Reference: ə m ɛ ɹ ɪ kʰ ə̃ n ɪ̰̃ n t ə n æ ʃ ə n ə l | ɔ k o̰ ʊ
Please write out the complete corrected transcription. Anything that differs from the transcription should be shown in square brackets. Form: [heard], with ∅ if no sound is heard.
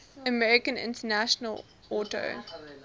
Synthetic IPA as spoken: ə m ɛ ɹ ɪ [k] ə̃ n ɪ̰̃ n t ə n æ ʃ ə n ə l | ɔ [t] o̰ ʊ